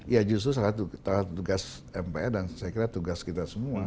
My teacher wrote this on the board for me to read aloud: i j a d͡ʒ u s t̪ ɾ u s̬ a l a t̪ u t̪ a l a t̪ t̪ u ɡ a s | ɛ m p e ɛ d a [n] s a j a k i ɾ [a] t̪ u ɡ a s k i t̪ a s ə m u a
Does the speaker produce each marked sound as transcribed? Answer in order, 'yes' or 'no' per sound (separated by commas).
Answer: yes, yes